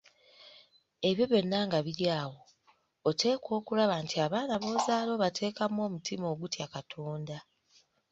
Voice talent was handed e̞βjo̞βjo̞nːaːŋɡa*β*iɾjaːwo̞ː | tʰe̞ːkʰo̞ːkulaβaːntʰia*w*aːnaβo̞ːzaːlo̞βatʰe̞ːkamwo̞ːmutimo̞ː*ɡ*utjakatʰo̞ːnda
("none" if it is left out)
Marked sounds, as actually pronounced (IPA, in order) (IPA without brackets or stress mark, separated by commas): β, β, ɡ